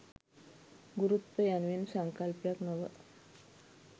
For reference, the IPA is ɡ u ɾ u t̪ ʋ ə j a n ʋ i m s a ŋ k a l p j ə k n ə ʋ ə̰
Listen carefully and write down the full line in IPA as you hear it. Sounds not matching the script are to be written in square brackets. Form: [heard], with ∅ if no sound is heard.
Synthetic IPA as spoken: ɡ u ɾ u t̪ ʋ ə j a n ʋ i [n] s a ŋ k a l p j [a] k n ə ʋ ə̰